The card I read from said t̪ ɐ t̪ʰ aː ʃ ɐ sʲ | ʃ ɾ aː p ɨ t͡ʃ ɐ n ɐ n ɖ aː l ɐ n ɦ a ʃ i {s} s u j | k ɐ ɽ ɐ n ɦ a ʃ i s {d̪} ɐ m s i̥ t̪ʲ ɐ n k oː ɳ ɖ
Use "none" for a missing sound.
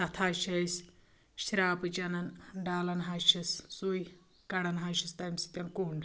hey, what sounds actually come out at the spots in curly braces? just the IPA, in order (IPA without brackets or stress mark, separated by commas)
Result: s, t̪